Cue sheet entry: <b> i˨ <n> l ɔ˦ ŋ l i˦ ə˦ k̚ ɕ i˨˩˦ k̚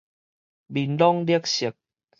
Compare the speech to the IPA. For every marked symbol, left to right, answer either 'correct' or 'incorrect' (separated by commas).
correct, correct